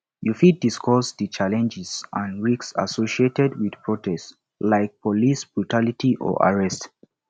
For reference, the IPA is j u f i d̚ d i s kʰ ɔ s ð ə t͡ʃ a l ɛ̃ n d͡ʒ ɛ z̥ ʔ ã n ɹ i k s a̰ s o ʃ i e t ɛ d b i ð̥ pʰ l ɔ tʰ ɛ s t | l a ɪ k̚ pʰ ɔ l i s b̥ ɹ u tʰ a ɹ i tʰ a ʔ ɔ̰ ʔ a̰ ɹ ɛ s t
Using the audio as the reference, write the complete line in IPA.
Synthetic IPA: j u f i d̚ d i s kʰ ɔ s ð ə t͡ʃ a l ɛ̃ n d͡ʒ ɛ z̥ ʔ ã n ɹ i k s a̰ s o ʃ i e t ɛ d w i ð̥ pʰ ɹ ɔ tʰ ɛ s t | l a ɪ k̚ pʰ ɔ l i s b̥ ɹ u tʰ a l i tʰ i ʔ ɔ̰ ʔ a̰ ɹ ɛ s t